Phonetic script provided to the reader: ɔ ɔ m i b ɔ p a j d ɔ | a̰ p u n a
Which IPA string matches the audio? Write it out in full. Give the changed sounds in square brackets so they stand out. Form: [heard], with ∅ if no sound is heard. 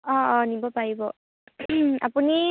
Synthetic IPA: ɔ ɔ [n] i b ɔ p a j [b] ɔ | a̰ p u n [i]